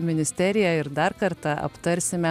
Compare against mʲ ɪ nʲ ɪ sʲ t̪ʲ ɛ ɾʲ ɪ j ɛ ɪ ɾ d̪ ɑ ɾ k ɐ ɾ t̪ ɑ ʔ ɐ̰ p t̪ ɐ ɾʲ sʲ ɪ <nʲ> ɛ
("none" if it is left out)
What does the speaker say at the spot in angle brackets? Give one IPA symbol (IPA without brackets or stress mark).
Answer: mʲ